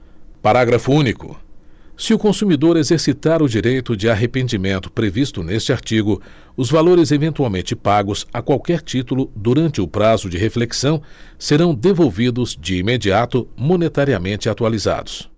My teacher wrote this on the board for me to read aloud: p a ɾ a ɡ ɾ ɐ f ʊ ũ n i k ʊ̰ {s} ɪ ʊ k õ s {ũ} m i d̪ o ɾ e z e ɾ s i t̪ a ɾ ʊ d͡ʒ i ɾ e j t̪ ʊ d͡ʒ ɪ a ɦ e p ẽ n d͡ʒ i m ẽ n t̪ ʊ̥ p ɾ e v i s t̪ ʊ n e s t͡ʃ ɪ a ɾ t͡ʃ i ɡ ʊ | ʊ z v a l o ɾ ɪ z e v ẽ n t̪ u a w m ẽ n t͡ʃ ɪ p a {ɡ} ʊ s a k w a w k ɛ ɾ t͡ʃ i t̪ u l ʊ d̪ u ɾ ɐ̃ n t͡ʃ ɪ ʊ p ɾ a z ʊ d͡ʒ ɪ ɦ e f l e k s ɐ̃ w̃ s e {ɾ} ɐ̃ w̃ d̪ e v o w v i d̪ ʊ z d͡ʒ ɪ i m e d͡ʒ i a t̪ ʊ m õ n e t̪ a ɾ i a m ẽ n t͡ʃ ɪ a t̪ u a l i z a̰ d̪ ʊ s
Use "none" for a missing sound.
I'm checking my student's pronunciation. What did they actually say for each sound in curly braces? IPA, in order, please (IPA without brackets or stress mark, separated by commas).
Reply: s, u, ɡ, ɾ